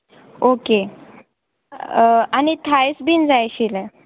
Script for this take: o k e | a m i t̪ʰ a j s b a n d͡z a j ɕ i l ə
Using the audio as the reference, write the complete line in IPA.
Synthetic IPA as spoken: o k e | a n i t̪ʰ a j s b i n d͡z a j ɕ i l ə